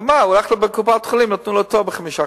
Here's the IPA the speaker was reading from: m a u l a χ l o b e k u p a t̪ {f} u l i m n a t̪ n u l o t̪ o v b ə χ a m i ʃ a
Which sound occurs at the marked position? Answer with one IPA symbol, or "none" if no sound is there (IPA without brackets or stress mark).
χ